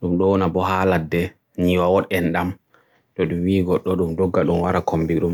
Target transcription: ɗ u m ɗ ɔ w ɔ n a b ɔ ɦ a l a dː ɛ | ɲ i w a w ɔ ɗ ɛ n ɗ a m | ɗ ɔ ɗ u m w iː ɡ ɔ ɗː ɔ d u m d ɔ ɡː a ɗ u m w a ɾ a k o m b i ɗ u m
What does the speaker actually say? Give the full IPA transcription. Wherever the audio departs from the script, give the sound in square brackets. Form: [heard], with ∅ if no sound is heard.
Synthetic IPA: ɗ u m ɗ ɔ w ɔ n a b ɔ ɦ a l a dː ɛ | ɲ i w a w ɔ ɗ ɛ n ɗ a m | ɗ ɔ ɗ u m w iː ɡ ɔ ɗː ɔ [ɗ] u m d ɔ ɡː a ɗ u m w a ɾ a k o m b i ɗ u m